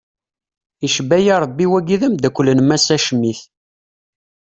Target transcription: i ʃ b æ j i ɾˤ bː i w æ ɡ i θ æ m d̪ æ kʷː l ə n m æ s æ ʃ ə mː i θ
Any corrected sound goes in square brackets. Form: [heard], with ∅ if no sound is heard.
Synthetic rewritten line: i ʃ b æ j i ɾˤ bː i w æ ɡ i [ð] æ m d̪ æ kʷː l ə n m æ s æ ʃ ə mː i θ